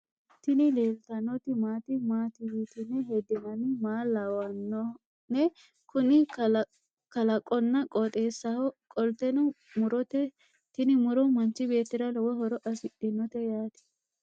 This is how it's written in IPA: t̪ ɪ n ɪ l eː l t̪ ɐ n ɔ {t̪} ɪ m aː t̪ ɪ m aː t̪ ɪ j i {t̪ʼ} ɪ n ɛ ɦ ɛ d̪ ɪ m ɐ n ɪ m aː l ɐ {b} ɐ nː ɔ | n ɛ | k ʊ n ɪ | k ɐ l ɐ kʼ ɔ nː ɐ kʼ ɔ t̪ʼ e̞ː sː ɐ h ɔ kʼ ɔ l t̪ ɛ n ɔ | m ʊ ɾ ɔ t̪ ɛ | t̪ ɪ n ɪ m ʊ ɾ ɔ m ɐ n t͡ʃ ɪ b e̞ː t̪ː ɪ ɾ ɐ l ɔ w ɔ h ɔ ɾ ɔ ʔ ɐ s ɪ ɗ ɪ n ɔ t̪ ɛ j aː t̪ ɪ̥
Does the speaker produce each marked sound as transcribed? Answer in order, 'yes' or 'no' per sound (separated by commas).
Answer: yes, no, no